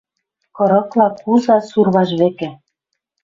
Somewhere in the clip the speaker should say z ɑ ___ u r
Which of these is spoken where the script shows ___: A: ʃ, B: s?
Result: B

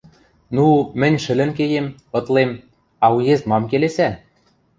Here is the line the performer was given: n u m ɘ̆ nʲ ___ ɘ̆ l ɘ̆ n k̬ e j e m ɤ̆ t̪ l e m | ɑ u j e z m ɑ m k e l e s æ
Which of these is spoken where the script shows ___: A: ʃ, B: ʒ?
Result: A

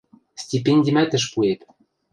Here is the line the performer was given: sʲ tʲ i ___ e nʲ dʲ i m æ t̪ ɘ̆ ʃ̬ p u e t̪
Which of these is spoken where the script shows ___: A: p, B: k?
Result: A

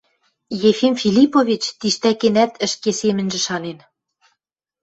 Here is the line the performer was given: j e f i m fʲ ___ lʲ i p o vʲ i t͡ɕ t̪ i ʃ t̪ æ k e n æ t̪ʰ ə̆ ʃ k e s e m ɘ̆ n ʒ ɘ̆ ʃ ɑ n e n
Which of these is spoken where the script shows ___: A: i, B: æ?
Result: A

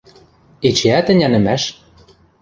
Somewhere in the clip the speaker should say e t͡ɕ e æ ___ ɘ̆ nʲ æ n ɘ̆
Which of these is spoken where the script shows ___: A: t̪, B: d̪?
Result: A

